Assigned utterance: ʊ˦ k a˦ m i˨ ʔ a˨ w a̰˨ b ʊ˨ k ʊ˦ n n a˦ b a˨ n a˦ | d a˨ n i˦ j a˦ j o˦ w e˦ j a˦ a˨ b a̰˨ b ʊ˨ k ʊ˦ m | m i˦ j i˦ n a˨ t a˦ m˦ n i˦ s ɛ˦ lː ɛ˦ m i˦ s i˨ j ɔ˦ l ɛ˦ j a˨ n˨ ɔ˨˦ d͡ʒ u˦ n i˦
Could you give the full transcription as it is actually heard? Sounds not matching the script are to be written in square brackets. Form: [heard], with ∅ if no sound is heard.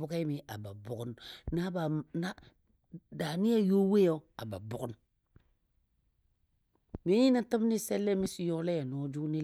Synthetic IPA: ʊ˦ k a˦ m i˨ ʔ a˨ [b] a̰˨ b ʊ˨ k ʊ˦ n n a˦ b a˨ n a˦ | d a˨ n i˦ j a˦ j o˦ w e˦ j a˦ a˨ b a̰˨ b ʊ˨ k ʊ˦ [n] | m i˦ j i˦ n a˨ t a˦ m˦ n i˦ s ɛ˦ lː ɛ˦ m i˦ s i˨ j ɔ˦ l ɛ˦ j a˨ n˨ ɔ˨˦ d͡ʒ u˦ n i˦